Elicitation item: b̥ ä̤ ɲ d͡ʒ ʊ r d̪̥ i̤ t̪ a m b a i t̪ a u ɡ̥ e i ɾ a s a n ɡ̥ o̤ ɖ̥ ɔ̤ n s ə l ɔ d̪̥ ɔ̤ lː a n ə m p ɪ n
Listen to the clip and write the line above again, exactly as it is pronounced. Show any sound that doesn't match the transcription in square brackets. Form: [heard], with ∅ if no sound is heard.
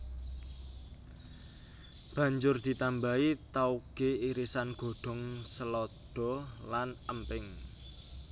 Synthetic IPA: b̥ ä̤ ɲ d͡ʒ ʊ r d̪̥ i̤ t̪ a m b a i t̪ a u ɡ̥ e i ɾ [i] s a n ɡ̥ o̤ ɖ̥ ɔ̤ [ŋ] s ə l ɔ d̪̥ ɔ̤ [l] a n ə m p ɪ [ŋ]